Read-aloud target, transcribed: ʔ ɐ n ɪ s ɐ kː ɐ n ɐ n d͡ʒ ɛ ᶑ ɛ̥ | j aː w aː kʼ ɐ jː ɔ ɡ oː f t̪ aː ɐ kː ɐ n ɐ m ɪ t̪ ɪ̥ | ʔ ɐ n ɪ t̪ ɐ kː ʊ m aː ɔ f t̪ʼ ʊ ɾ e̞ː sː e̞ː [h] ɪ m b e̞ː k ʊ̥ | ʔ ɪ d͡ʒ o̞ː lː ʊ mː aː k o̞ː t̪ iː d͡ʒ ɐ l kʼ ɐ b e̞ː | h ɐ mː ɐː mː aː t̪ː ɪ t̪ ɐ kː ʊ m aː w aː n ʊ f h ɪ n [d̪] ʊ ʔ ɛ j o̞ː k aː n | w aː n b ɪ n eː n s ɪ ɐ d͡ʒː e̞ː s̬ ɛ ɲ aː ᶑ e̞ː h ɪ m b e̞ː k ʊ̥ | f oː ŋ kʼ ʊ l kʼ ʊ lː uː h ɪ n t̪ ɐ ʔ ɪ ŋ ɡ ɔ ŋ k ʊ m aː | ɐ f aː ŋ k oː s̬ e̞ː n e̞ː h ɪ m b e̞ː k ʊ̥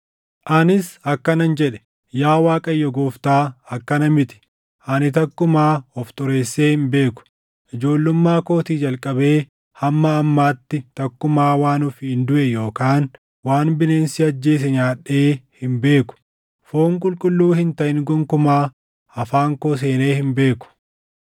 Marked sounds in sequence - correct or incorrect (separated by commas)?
correct, correct